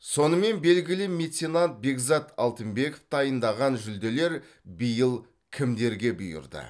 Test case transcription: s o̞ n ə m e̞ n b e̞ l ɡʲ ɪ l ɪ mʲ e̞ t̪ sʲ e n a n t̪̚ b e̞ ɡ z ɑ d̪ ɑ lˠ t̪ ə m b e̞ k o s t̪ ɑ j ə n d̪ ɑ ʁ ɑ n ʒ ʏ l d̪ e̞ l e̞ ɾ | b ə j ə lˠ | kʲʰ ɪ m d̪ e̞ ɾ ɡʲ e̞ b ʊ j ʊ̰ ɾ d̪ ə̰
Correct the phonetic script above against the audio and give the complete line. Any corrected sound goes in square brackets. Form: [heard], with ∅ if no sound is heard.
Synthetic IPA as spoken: s o̞ n ə m e̞ n b e̞ l ɡʲ ɪ l ɪ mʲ e̞ t̪ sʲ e n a n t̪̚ b e̞ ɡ z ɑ [t̪] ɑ lˠ t̪ ə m b e̞ k o [f] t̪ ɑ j ə n d̪ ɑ ʁ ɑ n ʒ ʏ l d̪ e̞ l e̞ ɾ | b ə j ə lˠ | kʲʰ ɪ m d̪ e̞ ɾ ɡʲ e̞ b ʊ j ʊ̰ ɾ d̪ ə̰